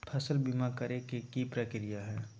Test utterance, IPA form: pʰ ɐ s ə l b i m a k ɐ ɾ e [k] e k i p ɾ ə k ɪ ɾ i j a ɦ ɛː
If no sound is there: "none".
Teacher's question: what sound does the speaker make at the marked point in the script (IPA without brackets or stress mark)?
k